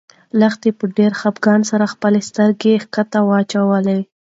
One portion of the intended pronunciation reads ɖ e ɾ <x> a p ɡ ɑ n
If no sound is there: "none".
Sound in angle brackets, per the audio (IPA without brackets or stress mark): x